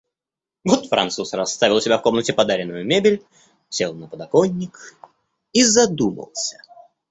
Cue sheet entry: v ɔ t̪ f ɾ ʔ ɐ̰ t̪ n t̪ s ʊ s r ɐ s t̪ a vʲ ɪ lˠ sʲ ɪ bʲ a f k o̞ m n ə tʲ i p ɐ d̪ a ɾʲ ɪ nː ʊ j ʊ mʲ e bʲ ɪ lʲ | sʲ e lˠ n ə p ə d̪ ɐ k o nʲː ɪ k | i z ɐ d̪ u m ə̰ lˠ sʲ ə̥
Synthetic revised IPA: v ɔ t̪ f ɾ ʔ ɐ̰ n t̪ s u s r ɐ s t̪ a vʲ ɪ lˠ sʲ ɪ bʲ a f k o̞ m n ə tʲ ɪ p ɐ d̪ a ɾʲ ɪ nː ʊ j ʊ mʲ e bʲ ɪ lʲ | sʲ e lˠ n ə p ə d̪ ɐ k o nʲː ɪ k | i z ɐ d̪ u m ə̰ lˠ sʲ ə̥